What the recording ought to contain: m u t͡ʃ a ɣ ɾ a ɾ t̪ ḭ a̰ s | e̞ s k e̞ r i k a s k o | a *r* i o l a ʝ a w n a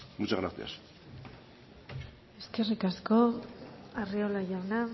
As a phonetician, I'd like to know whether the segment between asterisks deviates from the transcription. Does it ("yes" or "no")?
no